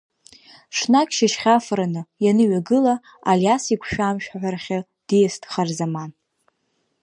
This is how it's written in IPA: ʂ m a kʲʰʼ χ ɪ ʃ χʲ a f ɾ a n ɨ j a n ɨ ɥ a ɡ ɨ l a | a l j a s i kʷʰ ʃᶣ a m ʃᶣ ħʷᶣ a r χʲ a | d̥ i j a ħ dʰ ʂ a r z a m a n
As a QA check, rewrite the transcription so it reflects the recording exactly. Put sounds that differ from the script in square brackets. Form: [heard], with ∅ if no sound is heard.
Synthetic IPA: ʂ [n] a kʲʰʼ [ʃ] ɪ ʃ χʲ a f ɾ a n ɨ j a n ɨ ɥ a ɡ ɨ l a | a l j a s i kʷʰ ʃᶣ a m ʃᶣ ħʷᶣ a r χʲ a | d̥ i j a [s] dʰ [χ] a r z a m a n